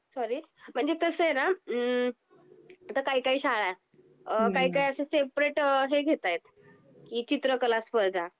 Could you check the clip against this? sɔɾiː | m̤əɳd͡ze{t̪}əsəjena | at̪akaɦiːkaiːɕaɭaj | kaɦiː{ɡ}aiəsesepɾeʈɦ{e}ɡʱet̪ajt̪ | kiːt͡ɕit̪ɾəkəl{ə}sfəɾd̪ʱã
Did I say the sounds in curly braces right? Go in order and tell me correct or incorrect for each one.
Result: correct, incorrect: k, correct, incorrect: a

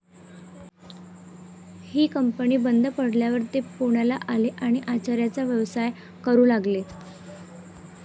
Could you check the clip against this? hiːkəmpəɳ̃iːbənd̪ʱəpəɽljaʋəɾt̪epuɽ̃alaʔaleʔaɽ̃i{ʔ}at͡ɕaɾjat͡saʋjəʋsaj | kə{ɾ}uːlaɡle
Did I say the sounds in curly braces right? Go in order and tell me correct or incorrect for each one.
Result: correct, correct

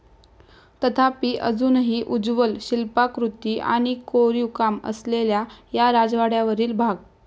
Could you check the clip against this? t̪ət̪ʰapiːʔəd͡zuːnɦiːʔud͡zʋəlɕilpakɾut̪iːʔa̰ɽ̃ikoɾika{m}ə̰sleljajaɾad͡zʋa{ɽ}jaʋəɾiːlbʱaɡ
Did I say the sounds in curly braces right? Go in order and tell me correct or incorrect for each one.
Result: correct, correct

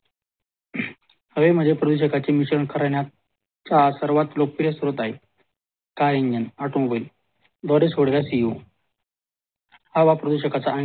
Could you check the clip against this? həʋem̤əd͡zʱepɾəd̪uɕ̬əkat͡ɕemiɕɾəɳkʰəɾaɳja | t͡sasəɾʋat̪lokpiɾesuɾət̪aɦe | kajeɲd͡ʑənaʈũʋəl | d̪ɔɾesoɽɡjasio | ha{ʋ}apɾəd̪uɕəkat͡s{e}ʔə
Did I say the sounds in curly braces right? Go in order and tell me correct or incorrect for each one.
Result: correct, incorrect: a

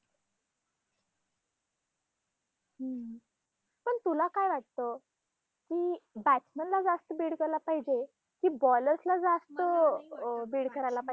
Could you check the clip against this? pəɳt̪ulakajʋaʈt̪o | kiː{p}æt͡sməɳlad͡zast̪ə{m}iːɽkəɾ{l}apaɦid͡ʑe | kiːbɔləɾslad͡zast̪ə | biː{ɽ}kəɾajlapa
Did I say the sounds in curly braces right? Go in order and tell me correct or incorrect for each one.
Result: incorrect: b, incorrect: b, correct, correct

